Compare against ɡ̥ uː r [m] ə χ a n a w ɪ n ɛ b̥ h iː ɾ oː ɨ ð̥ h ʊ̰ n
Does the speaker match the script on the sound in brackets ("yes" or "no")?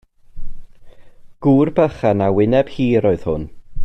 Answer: no